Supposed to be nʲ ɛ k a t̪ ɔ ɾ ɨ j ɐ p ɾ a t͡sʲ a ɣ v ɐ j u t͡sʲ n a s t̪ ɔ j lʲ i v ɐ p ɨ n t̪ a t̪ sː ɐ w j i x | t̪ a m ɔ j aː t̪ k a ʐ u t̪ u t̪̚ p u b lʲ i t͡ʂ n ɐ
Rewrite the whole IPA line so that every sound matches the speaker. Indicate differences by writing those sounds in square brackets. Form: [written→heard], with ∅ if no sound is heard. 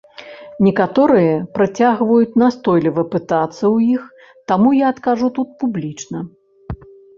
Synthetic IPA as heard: nʲ ɛ k a t̪ ɔ ɾ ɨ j ɐ p ɾ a t͡sʲ a ɣ v ɐ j u t͡sʲ n a s t̪ ɔ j lʲ i v ɐ p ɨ [n→∅] t̪ a t̪ sː ɐ w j i x | t̪ a m [ɔ→u] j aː t̪ k a ʐ u t̪ u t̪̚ p u b lʲ i t͡ʂ n ɐ